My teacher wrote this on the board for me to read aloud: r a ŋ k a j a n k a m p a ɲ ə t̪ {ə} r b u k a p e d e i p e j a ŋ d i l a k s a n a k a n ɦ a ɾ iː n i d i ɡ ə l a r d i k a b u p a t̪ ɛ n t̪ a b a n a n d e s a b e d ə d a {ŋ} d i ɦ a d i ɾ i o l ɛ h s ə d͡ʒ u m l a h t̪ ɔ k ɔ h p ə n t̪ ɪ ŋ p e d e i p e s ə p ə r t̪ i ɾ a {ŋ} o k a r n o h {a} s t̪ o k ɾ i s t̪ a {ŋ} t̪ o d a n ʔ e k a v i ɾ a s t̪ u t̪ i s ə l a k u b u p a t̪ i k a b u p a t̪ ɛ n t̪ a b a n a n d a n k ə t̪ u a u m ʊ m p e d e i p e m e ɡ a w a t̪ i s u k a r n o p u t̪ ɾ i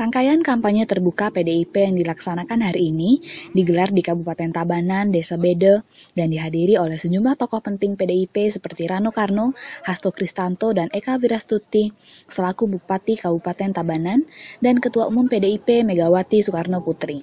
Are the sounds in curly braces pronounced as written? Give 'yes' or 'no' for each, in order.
yes, no, no, yes, no

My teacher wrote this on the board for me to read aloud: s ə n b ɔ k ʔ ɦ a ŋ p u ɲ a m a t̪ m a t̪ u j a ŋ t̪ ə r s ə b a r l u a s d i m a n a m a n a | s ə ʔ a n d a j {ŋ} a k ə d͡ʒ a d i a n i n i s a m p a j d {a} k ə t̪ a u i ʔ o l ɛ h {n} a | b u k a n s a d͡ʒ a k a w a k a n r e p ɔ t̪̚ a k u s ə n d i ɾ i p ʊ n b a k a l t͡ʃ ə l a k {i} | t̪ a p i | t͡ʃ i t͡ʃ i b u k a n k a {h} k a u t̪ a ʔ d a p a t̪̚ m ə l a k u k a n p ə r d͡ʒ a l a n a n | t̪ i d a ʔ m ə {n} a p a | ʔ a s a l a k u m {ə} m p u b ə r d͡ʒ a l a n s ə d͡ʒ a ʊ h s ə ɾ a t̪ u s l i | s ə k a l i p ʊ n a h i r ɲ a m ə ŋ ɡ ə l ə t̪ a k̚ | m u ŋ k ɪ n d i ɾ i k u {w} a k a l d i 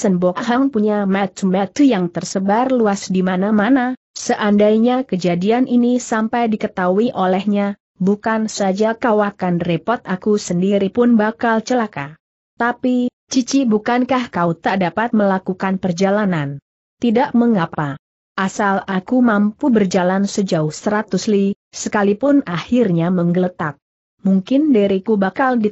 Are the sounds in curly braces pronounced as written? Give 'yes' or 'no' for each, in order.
no, no, no, no, yes, no, no, no

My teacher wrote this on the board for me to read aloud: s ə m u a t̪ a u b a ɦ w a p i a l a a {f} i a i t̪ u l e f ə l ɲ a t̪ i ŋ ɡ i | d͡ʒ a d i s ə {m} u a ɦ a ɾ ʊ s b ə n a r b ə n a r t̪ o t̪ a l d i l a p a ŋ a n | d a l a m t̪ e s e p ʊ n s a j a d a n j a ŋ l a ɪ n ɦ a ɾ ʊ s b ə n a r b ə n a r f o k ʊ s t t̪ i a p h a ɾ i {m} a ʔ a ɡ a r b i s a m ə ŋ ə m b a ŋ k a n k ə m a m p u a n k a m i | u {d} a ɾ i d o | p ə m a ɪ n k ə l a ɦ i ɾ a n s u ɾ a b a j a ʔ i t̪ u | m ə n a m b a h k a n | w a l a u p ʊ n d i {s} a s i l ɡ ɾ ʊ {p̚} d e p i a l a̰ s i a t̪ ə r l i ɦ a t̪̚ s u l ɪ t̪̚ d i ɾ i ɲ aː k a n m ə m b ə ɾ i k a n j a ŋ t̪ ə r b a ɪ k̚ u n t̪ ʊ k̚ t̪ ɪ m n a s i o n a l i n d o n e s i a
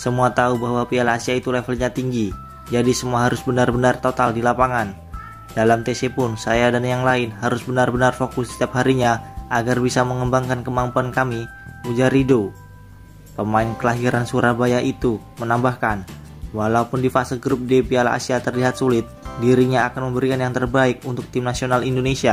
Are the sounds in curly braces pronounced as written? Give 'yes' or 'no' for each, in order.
no, yes, no, no, no, yes

